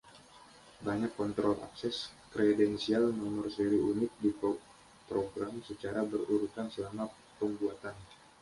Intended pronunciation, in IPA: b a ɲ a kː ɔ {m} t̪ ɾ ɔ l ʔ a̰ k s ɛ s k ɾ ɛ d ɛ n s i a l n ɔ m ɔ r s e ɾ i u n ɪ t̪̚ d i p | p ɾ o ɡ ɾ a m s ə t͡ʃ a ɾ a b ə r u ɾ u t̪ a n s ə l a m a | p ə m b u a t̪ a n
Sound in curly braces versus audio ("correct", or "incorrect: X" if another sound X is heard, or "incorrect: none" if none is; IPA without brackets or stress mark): incorrect: n